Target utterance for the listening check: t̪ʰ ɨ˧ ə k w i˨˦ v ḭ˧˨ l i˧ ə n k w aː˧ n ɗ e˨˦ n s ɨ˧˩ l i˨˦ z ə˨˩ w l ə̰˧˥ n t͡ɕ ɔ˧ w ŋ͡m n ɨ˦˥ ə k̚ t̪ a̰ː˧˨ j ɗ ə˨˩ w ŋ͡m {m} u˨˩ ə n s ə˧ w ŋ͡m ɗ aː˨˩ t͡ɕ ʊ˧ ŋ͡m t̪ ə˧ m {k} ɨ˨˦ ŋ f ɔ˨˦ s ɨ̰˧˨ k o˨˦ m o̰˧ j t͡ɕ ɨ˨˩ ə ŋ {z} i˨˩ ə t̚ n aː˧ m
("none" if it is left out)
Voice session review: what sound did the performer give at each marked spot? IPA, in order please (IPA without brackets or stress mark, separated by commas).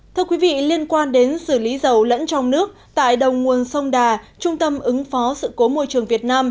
ŋ, ʔ, v